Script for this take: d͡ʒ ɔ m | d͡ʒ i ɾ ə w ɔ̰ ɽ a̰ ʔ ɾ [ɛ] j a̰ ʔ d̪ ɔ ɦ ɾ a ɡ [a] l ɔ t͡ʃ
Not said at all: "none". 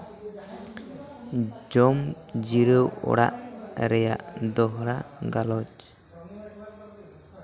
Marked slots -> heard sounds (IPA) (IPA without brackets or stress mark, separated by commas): ɛ, a